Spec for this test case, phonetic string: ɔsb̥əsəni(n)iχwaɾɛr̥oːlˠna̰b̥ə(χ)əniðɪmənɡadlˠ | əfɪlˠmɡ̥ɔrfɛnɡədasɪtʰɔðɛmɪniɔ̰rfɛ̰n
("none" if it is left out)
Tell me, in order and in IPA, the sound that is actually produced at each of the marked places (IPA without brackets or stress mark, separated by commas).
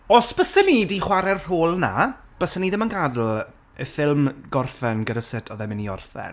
d, s